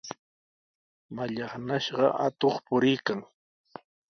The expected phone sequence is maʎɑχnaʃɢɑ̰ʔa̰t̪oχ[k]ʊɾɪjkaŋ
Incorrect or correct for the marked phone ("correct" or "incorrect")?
incorrect